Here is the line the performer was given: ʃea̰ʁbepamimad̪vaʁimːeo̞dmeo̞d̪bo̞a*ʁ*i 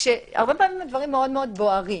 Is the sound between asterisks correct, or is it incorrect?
correct